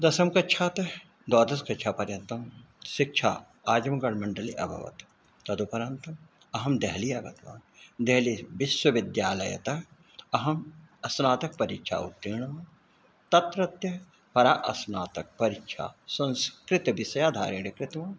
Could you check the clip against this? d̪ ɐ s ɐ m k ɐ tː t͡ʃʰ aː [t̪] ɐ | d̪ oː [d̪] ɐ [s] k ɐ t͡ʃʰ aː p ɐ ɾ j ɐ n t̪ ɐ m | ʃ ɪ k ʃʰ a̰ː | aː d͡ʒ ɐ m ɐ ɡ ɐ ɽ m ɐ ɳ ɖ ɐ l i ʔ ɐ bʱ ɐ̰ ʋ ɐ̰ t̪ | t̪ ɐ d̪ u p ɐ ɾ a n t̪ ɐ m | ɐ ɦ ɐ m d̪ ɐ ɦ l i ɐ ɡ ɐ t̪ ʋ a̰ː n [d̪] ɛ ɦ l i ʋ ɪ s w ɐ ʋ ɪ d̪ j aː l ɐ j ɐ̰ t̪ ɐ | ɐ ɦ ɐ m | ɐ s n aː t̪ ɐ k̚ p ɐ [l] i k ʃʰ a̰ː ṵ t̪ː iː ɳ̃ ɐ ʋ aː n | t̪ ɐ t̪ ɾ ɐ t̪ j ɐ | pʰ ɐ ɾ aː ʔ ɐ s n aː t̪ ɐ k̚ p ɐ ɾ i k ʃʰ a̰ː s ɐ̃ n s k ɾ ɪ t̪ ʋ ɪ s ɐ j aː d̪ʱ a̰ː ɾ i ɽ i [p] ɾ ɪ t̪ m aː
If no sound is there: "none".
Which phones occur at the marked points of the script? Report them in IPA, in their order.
t̪, d̪, s, d̪, ɾ, k

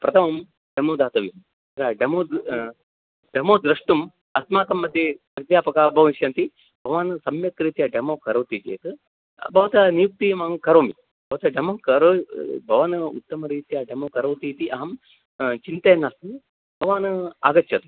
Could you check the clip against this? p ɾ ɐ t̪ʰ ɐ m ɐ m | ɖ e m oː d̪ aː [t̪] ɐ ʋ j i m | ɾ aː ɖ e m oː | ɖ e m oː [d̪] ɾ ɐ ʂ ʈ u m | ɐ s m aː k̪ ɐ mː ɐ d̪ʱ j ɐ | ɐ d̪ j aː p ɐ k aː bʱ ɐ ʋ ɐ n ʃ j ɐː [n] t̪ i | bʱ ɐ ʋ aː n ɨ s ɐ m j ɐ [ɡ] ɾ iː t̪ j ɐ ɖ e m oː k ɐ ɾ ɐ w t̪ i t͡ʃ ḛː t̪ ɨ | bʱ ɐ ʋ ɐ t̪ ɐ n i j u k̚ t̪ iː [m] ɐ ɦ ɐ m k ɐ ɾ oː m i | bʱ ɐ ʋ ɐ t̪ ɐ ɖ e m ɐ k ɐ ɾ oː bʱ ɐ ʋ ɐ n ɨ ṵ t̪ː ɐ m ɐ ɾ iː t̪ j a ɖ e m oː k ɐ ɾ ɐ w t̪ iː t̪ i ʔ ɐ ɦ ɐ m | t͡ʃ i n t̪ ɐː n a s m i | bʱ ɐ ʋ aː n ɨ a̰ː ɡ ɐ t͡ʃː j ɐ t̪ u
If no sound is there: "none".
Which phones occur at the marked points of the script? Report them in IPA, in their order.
t̪, d̪, n, k, m

